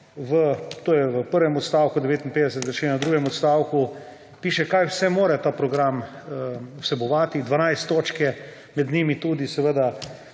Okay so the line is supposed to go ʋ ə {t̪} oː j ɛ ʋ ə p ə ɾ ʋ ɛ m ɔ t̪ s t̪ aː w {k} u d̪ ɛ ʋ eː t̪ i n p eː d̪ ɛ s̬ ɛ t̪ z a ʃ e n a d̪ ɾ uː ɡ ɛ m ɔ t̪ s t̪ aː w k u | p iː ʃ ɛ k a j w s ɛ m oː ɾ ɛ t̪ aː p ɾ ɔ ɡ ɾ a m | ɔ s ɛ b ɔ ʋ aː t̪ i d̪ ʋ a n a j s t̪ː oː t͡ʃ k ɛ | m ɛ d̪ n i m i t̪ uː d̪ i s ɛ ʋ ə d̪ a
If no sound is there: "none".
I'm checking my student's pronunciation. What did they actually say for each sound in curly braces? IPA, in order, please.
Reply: t̪, k

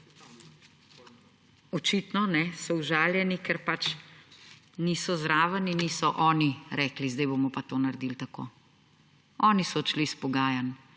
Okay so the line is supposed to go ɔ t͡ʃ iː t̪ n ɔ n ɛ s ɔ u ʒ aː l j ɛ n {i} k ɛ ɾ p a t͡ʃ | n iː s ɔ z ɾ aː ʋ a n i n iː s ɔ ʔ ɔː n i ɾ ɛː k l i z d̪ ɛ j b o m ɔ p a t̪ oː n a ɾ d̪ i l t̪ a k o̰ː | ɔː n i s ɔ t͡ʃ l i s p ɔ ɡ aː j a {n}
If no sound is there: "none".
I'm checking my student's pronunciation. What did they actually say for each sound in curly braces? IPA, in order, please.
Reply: i, n

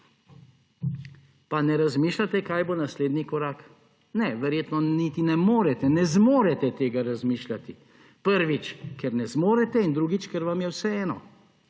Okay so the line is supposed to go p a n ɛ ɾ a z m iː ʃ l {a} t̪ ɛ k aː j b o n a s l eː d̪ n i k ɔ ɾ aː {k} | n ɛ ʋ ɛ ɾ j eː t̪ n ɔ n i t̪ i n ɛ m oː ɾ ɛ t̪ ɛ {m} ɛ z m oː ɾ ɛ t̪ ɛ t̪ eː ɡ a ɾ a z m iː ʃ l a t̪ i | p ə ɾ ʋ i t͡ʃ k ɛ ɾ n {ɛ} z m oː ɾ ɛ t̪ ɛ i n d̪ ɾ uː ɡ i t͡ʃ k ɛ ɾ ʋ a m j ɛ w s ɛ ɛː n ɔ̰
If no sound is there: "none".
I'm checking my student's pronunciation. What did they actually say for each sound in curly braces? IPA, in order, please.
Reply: a, k, n, ɛ

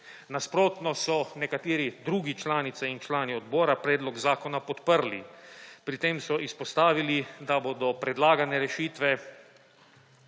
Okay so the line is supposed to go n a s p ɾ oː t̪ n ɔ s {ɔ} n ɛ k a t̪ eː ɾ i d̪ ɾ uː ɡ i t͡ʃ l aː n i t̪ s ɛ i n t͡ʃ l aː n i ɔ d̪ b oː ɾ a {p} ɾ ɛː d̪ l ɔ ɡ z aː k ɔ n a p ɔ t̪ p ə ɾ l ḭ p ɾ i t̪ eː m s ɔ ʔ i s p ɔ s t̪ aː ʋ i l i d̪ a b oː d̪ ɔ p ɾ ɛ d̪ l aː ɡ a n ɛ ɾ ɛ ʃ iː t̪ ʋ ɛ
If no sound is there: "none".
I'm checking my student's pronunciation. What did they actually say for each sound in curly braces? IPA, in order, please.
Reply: ɔ, p

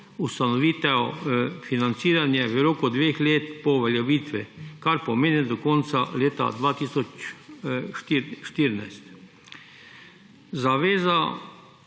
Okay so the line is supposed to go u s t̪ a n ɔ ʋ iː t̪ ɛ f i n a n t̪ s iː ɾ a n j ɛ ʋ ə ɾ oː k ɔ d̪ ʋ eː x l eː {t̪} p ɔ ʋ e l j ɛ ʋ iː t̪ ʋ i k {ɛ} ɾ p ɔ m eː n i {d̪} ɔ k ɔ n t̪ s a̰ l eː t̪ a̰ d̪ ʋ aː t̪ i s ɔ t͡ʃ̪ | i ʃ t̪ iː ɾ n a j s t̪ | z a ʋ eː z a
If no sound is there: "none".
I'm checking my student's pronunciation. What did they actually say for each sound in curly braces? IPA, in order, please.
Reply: t̪, a, d̪

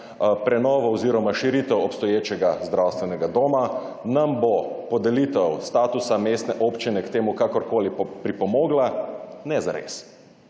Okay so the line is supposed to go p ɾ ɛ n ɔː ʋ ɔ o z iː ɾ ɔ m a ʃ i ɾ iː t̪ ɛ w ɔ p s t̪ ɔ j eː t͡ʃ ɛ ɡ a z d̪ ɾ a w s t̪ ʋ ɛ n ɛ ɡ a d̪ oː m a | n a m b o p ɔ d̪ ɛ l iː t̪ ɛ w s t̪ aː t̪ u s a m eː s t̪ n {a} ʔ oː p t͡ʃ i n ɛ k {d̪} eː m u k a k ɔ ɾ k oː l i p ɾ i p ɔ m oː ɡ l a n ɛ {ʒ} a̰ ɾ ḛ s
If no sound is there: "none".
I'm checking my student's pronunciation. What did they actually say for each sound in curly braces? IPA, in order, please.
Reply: ɛ, t̪, z

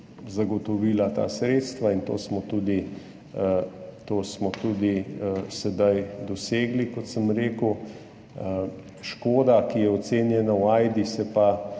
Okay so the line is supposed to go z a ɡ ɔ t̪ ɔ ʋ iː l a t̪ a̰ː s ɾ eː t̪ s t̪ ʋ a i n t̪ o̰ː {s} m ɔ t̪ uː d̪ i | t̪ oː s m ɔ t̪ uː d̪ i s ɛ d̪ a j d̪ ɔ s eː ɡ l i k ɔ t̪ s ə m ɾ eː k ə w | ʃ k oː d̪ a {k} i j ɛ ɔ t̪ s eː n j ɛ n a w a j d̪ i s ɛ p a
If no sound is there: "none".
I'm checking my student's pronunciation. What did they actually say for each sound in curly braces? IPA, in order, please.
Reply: s, k

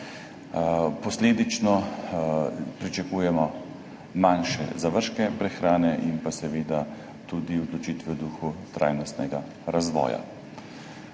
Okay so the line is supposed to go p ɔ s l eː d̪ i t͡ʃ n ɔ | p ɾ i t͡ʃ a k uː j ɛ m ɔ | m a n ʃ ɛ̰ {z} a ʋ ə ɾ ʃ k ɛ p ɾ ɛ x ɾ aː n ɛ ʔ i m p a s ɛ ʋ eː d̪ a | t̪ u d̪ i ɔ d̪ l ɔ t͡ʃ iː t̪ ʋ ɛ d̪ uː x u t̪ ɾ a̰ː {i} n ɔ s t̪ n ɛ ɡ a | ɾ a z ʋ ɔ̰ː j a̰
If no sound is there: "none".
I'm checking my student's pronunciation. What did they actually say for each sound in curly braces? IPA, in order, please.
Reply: z, j

